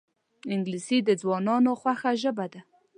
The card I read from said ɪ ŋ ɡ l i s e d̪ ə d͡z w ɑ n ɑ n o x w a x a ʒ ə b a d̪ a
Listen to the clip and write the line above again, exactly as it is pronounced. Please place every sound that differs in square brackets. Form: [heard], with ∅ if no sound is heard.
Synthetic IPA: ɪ ŋ ɡ l i s [i] d̪ ə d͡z w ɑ n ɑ n o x w a x a ʒ ə b a d̪ a